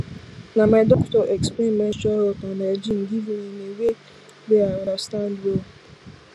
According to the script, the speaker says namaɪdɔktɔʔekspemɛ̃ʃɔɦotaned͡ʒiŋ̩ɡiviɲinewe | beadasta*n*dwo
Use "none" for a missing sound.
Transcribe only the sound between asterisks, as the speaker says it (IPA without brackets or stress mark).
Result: n